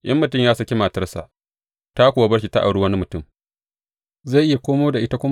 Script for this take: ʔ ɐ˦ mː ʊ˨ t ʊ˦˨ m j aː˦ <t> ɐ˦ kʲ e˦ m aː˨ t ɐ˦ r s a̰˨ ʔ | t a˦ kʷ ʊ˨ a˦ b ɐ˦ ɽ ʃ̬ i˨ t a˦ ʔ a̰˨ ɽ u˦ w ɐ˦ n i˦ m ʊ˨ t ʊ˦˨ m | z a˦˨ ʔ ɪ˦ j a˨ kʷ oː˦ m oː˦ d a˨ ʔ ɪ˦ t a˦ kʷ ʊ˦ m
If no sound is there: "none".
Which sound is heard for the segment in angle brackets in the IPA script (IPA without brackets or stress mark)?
s